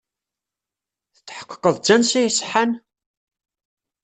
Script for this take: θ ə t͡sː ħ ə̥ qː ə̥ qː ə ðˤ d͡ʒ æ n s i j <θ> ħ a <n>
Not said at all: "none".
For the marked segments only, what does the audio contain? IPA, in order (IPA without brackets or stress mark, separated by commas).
s, n